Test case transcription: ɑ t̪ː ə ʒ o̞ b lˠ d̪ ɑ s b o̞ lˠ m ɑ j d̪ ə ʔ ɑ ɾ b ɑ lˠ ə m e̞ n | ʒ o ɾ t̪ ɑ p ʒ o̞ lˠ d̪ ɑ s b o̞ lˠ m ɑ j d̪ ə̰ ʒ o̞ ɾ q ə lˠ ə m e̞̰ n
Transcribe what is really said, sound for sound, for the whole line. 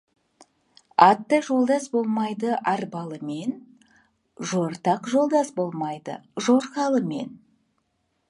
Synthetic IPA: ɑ t̪ː ə ʒ o̞ lˠ d̪ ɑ s b o̞ lˠ m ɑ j d̪ ə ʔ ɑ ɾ b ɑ lˠ ə m e̞ n | ʒ o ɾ t̪ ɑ q ʒ o̞ lˠ d̪ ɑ s b o̞ lˠ m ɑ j d̪ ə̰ ʒ o̞ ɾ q ɑ lˠ ə m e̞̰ n